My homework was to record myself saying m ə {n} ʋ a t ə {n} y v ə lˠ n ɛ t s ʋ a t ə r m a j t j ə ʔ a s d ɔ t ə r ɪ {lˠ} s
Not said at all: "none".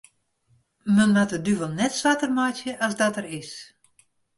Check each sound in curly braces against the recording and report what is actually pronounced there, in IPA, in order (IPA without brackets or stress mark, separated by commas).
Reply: n, d, none